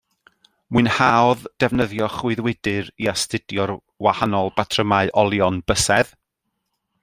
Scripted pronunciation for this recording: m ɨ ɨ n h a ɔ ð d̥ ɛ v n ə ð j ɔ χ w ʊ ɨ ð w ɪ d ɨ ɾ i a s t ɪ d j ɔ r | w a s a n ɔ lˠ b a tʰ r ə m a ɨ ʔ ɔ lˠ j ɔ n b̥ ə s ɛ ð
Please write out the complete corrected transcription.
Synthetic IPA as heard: m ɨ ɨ n h a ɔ ð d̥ ɛ v n ə ð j ɔ χ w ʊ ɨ ð w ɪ d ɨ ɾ i a s t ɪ d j ɔ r | w a h a n ɔ lˠ b a tʰ r ə m a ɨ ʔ ɔ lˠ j ɔ n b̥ ə s ɛ ð

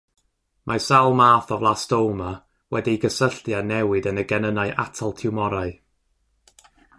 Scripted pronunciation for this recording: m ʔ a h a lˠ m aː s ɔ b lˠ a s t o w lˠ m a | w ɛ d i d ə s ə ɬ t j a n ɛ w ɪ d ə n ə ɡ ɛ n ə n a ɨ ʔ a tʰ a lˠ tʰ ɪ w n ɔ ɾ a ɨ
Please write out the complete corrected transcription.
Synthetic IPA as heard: m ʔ a s a lˠ m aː θ ɔ v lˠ a s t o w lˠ m a | w ɛ d i ɡ ə s ə ɬ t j a n ɛ w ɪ d ə n ə ɡ ɛ n ə n a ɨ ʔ a tʰ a lˠ tʰ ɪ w m ɔ ɾ a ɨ

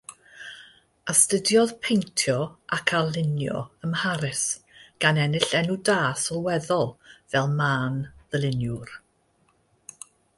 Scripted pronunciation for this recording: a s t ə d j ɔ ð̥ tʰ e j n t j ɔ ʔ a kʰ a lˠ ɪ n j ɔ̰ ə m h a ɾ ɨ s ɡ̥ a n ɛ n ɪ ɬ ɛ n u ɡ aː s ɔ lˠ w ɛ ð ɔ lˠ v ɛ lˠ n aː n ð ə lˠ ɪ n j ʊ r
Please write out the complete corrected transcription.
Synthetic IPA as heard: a s t ə d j ɔ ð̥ pʰ e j n tʰ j ɔ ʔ a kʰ a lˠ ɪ n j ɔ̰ ə m h a ɾ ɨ s ɡ̥ a n ɛ n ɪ ɬ ɛ n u d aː s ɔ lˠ w ɛ ð ɔ lˠ v ɛ lˠ m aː n ð ə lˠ ɪ n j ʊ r

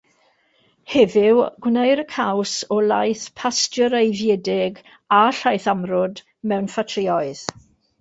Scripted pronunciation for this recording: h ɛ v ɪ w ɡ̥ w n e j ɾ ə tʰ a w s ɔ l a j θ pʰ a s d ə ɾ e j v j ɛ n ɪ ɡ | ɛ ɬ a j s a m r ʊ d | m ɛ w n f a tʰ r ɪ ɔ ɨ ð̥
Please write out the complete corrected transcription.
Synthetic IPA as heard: h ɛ v ɪ w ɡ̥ w n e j ɾ ə kʰ a w s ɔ l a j θ pʰ a s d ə ɾ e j v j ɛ d ɪ ɡ | a ɬ a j θ a m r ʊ d | m ɛ w n f a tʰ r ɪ ɔ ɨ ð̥

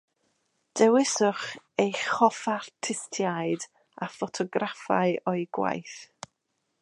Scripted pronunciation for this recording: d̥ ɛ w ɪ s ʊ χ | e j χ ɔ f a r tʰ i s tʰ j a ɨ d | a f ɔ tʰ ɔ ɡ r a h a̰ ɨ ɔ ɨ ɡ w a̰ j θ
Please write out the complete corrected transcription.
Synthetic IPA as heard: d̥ ɛ w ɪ s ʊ χ | e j χ ɔ f a r tʰ ɪ s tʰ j a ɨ d | a f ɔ tʰ ɔ ɡ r a f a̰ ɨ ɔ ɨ ɡ w a̰ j θ

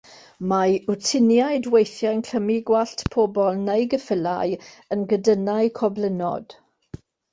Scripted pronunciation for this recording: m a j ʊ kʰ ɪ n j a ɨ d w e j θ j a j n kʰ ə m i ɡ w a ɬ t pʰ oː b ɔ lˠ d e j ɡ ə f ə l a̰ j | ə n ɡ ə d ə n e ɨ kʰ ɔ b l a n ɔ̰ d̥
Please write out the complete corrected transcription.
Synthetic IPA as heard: m a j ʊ tʰ ɪ n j a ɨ d w e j θ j a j n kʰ ə m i ɡ w a ɬ t pʰ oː b ɔ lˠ n e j ɡ ə f ə l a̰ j | ə n ɡ ə d ə n a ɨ kʰ ɔ b l ə n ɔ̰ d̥

